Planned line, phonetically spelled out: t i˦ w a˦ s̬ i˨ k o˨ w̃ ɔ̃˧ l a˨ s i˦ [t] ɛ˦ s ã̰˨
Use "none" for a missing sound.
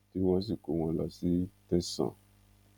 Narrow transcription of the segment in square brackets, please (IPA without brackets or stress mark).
t